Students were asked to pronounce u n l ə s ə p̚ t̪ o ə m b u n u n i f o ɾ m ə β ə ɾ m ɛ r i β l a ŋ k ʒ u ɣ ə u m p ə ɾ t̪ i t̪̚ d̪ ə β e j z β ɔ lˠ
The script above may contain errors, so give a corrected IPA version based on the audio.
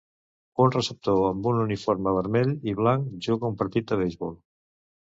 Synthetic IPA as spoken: u n r ə s ə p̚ t̪ o ə m b u n u n i f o ɾ m ə β ə ɾ m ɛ ʎ i β l a ŋ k ʒ u ɣ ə u m p ə ɾ t̪ i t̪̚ d̪ ə β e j z β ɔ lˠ